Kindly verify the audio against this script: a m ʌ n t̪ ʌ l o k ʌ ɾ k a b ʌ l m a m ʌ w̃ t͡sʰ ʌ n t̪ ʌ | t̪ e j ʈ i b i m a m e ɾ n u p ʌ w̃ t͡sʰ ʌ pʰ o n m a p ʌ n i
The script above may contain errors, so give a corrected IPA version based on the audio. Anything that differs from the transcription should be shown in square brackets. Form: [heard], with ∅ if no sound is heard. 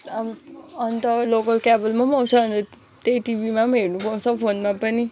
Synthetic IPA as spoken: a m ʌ n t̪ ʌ l o k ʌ [l] k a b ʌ l m a m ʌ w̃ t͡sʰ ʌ n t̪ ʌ | t̪ e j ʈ i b i m a m e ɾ n u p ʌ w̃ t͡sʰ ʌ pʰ o n m a p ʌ n i